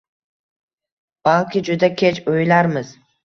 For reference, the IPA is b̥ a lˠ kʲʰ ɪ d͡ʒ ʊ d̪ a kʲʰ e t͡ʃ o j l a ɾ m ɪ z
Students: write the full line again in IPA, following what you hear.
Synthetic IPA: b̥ a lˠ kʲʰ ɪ d͡ʒ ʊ d̪ a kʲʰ e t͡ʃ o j l a ɾ m ɪ z